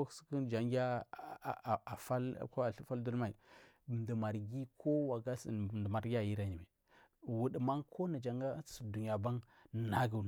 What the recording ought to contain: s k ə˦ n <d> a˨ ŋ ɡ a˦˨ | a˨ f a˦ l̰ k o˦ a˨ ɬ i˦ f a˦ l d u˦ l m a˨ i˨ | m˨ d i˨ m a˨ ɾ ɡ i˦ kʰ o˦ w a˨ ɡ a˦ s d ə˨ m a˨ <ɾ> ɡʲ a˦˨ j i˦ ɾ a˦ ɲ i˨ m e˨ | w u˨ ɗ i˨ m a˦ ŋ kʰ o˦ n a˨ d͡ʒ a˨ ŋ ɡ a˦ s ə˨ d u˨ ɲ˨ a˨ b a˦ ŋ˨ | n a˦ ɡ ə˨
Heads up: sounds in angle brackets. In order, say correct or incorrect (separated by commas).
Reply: incorrect, correct